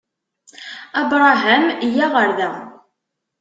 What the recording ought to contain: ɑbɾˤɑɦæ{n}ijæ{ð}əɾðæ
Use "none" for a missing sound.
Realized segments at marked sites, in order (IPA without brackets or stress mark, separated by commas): m, ʁ